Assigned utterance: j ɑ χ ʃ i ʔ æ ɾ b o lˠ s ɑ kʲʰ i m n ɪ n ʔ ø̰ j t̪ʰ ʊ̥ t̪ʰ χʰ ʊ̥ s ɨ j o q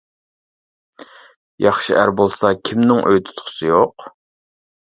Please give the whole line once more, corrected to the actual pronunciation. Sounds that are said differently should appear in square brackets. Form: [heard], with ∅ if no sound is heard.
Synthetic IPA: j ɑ χ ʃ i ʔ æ ɾ b o lˠ s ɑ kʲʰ i m n ɪ [ŋ] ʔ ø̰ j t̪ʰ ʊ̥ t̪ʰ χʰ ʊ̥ s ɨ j o q